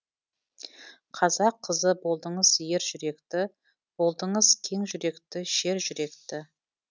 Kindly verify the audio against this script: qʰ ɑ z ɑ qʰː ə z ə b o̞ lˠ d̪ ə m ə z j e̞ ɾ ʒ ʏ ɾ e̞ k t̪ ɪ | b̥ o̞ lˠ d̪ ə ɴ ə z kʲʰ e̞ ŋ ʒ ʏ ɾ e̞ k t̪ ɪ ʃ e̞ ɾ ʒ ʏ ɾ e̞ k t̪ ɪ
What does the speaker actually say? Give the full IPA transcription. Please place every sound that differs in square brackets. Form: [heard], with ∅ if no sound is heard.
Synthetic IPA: qʰ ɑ z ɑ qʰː ə z ə b o̞ lˠ d̪ ə [ɴ] ə z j e̞ ɾ ʒ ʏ ɾ e̞ k t̪ ɪ | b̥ o̞ lˠ d̪ ə ɴ ə z kʲʰ e̞ ŋ ʒ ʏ ɾ e̞ k t̪ ɪ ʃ e̞ ɾ ʒ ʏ ɾ e̞ k t̪ ɪ